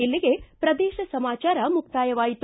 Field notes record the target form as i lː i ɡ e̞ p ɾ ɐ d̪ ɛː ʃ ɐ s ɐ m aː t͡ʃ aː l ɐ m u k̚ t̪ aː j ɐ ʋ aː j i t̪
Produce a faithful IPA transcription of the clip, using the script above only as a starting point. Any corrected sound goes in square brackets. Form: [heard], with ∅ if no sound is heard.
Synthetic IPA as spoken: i lː i ɡ e̞ p ɾ ɐ d̪ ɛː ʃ ɐ s ɐ m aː t͡ʃ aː [ɾ] ɐ m u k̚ t̪ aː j ɐ ʋ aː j i t̪

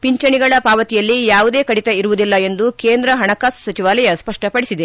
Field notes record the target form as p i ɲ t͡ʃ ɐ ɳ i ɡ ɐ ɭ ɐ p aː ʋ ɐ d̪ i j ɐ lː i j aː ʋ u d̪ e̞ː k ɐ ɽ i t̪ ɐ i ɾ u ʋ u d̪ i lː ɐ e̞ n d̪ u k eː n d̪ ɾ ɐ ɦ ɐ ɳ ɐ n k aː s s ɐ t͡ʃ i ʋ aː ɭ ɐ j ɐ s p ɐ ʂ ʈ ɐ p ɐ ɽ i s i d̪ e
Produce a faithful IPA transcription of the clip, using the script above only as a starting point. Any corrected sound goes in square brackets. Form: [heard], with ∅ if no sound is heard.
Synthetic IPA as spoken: p i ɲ t͡ʃ ɐ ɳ i ɡ ɐ ɭ ɐ p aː ʋ ɐ [t̪] i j ɐ lː i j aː ʋ u d̪ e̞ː k ɐ ɽ i t̪ ɐ i ɾ u ʋ u d̪ i lː ɐ e̞ n d̪ u k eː n d̪ ɾ ɐ ɦ ɐ ɳ ɐ [∅] k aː s s ɐ t͡ʃ i ʋ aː [l] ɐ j ɐ s p ɐ ʂ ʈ ɐ p ɐ ɽ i s i d̪ e

